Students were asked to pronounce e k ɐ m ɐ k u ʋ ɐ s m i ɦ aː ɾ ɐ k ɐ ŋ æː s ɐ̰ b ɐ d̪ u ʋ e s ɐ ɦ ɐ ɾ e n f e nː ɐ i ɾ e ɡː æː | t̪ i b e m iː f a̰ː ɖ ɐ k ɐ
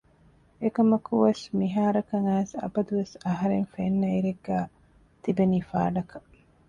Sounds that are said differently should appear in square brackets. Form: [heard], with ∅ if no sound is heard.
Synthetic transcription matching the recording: e k ɐ m ɐ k u ʋ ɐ s m i ɦ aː ɾ ɐ k ɐ ŋ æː s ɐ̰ b ɐ d̪ u ʋ e s ɐ ɦ ɐ ɾ e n f e nː ɐ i ɾ e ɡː æː | t̪ i b e [n] iː f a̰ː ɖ ɐ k ɐ